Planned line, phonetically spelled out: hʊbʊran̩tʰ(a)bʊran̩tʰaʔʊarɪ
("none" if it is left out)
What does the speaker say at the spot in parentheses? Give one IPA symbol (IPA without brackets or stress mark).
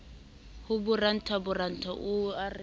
a